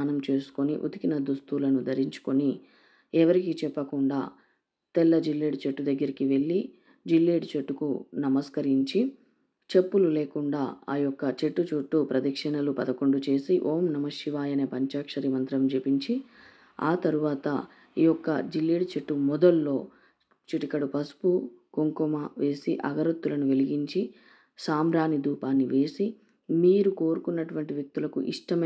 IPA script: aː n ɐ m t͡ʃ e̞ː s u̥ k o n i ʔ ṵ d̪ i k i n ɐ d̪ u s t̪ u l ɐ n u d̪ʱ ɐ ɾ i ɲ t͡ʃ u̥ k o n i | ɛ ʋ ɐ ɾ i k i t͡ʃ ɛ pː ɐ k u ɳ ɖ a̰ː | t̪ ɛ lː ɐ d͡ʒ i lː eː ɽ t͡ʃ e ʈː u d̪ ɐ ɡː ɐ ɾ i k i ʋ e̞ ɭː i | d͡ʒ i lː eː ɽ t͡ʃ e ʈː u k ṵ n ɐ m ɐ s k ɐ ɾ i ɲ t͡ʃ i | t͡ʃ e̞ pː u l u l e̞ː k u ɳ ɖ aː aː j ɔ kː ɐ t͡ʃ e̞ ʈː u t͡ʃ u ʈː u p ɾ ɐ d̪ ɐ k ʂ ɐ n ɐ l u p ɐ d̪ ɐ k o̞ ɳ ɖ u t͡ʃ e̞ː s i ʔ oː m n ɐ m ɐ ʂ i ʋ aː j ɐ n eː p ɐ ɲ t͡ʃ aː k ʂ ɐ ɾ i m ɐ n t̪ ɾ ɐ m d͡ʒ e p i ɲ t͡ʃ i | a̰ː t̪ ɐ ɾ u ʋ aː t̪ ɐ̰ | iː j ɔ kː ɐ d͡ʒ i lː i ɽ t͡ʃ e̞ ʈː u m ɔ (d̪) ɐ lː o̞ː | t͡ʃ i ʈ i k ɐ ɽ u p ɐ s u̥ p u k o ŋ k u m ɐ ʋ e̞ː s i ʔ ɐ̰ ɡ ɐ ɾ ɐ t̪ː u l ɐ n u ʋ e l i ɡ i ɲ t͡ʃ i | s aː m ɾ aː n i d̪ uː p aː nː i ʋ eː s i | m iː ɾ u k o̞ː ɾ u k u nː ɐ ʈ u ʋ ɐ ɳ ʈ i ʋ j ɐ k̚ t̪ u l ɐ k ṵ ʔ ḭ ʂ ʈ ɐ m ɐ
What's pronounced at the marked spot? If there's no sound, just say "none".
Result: d̪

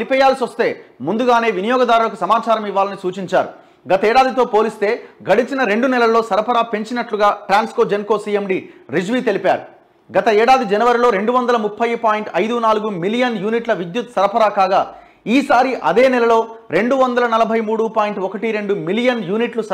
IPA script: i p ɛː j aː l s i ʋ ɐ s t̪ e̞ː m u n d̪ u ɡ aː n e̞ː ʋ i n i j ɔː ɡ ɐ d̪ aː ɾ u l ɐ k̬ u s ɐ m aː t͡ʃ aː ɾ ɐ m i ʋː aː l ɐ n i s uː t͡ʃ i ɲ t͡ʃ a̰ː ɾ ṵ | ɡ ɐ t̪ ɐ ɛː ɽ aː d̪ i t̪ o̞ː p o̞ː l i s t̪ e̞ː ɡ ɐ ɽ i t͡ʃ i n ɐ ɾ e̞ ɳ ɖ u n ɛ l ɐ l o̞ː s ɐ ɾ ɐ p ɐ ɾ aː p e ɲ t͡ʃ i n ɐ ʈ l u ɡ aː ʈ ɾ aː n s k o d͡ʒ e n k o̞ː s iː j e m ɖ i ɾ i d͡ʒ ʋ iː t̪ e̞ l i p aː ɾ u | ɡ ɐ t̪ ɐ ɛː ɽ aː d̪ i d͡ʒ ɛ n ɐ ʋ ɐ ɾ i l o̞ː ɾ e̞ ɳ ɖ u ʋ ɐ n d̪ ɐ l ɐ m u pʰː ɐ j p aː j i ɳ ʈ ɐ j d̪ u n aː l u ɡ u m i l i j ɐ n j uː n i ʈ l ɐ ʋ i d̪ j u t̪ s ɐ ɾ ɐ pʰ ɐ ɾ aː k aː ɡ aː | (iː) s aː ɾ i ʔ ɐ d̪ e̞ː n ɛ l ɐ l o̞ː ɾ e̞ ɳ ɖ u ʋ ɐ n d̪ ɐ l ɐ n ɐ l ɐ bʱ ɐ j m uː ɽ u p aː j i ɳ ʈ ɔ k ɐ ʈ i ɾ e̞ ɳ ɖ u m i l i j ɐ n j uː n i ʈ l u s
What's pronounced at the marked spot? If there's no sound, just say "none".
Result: iː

